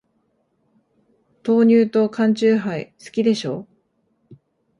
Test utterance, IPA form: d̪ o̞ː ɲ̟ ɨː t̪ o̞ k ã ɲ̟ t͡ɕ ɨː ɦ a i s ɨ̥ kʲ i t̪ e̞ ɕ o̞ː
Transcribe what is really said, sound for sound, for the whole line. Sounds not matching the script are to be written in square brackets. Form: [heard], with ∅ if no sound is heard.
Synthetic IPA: [t̪] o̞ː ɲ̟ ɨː t̪ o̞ k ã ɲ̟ t͡ɕ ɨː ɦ a i s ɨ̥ kʲ i [d̪] e̞ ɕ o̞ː

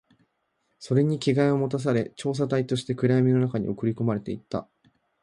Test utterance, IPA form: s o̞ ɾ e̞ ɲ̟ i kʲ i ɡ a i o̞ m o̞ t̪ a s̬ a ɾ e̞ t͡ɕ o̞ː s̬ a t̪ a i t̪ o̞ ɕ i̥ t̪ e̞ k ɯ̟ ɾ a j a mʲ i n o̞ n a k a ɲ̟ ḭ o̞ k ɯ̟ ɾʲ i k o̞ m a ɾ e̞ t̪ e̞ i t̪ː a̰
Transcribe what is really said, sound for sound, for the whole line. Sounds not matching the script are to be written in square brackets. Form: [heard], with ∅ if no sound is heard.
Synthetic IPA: s o̞ ɾ e̞ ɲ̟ i kʲ i ɡ a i o̞ m o̞ t̪ a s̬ a ɾ e̞ t͡ɕ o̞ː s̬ a t̪ a i t̪ o̞ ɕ i̥ t̪ e̞ k ɯ̟ ɾ a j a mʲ i n o̞ n a k a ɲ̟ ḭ o̞ k ɯ̟ ɾʲ i k o̞ m a ɾ e̞ t̪ e̞ i t̪ː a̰

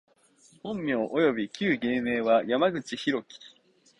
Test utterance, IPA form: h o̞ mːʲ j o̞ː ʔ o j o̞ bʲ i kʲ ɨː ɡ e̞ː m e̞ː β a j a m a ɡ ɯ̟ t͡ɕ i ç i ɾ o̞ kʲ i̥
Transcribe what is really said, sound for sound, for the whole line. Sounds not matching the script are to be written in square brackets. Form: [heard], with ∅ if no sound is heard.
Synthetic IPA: h [õ̞] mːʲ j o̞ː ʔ o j o̞ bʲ i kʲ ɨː ɡ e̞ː m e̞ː β a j a m a ɡ ɯ̟ t͡ɕ i ç i ɾ o̞ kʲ i̥

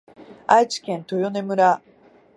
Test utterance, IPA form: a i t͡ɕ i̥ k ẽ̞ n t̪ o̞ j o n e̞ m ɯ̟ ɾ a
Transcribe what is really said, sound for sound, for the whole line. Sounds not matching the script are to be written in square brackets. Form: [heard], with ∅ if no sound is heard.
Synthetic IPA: a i t͡ɕ i̥ k ẽ̞ n t̪ o̞ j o n e̞ m ɯ̟ ɾ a

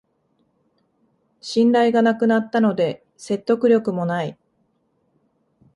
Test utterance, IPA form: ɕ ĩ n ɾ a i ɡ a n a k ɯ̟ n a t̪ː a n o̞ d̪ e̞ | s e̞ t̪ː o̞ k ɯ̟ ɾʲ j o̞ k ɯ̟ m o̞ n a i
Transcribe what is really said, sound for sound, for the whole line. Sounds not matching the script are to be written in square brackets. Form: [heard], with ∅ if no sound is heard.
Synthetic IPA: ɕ ĩ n ɾ a i ɡ a n a k ɯ̟ n a t̪ː a n o̞ d̪ e̞ | s e̞ t̪ː o̞ k ɯ̟ ɾʲ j o̞ k ɯ̟ m o̞ n a i

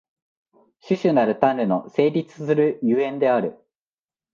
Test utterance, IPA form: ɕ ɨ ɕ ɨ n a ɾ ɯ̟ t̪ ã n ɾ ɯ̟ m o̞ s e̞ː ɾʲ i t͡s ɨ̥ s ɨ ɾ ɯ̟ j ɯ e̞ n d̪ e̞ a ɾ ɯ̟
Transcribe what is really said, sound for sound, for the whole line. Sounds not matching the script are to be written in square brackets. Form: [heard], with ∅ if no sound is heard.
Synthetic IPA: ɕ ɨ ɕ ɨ n a ɾ ɯ̟ t̪ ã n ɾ ɯ̟ [n] o̞ s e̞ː ɾʲ i t͡s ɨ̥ s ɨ ɾ ɯ̟ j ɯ [ẽ̞] n d̪ e̞ a ɾ ɯ̟

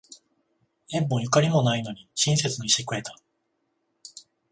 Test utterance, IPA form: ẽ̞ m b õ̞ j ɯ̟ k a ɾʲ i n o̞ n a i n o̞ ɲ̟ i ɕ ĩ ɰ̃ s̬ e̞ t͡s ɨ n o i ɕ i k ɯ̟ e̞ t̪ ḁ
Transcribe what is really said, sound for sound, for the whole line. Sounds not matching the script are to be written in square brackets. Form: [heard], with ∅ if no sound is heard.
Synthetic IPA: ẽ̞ m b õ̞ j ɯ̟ k a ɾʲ i [m] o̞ n a i n o̞ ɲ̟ i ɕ ĩ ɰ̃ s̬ e̞ t͡s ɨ n o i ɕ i k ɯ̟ e̞ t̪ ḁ

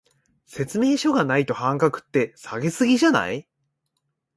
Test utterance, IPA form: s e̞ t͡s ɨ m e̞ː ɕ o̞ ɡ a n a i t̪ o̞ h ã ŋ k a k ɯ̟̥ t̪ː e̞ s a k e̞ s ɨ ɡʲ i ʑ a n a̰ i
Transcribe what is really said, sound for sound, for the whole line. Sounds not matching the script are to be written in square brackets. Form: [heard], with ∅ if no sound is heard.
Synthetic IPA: s e̞ t͡s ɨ m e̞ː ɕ o̞ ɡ a n a i t̪ o̞ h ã ŋ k a k ɯ̟̥ t̪ː e̞ s a [ɡ] e̞ s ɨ ɡʲ i ʑ a n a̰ i

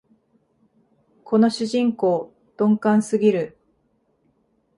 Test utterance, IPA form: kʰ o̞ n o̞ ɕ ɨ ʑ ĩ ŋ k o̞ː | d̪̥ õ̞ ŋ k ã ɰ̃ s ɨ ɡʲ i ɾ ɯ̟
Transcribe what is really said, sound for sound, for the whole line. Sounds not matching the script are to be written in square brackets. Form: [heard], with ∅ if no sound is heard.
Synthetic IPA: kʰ o̞ n o̞ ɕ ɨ ʑ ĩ ŋ k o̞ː | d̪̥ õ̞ ŋ k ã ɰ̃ s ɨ ɡʲ i ɾ ɯ̟

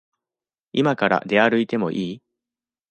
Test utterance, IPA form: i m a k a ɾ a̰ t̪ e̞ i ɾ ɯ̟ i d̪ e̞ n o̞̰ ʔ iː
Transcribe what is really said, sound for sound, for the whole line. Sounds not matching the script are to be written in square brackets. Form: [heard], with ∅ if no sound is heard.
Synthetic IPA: i m a k a ɾ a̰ [d̪] e̞ [a] ɾ ɯ̟ i [t̪] e̞ [m] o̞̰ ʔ iː

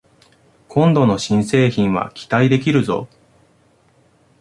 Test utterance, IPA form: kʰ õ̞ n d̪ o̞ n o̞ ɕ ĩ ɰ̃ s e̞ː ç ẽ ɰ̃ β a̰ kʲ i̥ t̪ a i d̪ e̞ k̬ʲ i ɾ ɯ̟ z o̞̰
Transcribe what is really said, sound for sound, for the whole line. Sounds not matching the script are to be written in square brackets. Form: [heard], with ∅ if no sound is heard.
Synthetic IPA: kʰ õ̞ n d̪ o̞ n o̞ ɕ ĩ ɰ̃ s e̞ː ç [ĩ] ɰ̃ β a̰ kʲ i̥ t̪ a i d̪ e̞ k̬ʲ i ɾ ɯ̟ z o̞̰

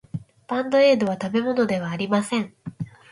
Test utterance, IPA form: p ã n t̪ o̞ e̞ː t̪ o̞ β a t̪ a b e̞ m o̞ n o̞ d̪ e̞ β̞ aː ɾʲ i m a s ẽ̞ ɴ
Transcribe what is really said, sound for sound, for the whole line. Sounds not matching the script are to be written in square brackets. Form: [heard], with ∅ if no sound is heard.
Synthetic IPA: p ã n [d̪] o̞ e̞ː [d̪] o̞ β a t̪ a b e̞ m o̞ n o̞ d̪ e̞ β̞ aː ɾʲ i m a s ẽ̞ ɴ

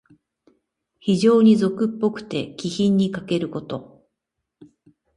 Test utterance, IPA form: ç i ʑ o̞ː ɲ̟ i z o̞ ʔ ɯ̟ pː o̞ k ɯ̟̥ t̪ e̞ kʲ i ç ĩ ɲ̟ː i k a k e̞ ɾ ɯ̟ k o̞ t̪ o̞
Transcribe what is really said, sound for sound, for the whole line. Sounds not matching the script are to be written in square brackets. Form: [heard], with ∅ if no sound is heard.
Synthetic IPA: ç i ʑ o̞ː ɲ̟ i z o̞ [k] ɯ̟ pː o̞ k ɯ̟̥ t̪ e̞ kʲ i ç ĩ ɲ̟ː i k a k e̞ ɾ ɯ̟ k o̞ t̪ o̞

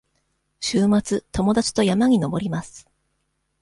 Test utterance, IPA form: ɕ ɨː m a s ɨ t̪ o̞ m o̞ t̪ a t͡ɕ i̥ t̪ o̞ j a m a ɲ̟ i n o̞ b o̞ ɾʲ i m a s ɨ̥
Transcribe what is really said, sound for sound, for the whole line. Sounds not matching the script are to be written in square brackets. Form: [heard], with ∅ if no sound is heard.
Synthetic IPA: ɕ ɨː m a [t͡s] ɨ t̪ o̞ m o̞ [d̪] a t͡ɕ i̥ t̪ o̞ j a m a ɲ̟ i n o̞ b o̞ ɾʲ i m a s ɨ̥

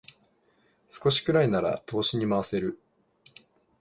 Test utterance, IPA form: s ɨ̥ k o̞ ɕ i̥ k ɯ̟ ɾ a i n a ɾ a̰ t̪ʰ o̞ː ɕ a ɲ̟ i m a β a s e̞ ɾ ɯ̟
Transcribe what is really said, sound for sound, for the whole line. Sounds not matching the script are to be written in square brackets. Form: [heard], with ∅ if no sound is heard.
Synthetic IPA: s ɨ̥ k o̞ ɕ i̥ k ɯ̟ ɾ a i n a ɾ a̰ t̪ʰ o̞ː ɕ [i] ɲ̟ i m a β a s e̞ ɾ ɯ̟

